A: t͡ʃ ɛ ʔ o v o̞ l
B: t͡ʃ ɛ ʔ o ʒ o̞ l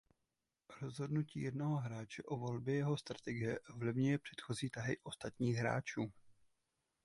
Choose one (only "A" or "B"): A